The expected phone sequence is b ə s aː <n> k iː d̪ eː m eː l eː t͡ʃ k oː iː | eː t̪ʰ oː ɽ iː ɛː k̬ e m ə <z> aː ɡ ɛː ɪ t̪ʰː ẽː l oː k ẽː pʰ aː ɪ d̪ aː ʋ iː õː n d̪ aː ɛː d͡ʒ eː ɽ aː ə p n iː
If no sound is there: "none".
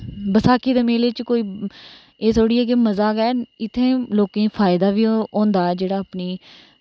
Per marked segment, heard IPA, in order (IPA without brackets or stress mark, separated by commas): none, z